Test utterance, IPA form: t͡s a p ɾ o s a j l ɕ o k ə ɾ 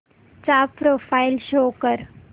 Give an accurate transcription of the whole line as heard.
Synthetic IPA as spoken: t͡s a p ɾ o f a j l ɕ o k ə ɾ